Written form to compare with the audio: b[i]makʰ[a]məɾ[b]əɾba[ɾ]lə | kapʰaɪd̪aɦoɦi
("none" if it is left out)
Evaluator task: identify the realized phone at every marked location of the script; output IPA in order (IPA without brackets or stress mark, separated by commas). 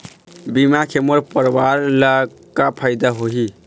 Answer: i, e, p, ɾ